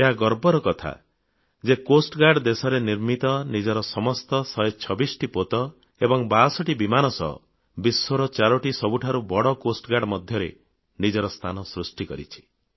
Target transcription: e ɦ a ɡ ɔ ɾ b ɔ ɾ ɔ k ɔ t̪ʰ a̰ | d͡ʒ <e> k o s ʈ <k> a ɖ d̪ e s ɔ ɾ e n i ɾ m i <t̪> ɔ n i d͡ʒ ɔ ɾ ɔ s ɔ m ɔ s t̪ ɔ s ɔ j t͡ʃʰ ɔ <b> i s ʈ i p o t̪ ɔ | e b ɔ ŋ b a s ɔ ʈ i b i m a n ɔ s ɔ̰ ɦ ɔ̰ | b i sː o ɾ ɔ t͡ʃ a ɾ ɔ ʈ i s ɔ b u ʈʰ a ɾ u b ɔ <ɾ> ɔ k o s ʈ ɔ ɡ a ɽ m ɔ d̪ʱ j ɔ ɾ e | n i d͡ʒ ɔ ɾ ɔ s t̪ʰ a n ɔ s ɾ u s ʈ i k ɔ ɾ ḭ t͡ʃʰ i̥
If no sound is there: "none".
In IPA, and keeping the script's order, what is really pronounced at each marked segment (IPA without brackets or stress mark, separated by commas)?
e, ɡ, t̪, b, ɽ